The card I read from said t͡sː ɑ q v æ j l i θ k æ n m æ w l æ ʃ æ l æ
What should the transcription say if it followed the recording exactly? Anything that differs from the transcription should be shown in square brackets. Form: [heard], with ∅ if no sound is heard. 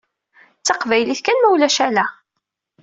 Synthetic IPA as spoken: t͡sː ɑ q v æ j l i θ k æ n m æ w l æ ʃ æ l æ